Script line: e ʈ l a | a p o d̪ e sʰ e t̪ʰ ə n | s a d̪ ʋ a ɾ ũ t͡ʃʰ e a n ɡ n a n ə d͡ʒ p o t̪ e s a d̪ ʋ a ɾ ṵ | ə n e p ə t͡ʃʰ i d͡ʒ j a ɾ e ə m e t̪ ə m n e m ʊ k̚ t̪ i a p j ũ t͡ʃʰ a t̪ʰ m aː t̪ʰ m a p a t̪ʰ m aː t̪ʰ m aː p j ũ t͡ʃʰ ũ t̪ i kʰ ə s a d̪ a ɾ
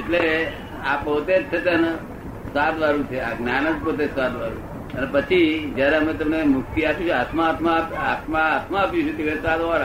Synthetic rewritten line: e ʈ l e | a p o t̪ e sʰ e t̪ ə n | s a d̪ ʋ a ɾ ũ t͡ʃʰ e a ɡ n a n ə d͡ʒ p o t̪ e s a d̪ ʋ a ɾ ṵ | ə n e p ə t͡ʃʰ i d͡ʒ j a ɾ e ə m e t̪ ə m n e m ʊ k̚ t̪ i a p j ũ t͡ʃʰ a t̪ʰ m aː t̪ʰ m a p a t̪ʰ m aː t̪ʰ m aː p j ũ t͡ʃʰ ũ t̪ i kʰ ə s a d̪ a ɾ